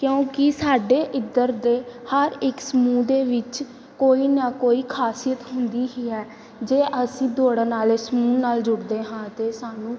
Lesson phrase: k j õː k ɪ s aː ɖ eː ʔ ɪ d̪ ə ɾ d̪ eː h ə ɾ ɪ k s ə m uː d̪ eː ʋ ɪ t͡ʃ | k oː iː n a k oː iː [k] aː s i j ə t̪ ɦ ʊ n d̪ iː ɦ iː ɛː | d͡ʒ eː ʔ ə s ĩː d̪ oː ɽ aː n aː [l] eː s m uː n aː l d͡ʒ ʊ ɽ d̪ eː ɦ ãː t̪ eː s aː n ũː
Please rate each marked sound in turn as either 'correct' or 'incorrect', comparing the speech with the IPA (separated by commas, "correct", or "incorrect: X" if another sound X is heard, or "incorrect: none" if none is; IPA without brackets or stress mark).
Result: incorrect: kʰ, correct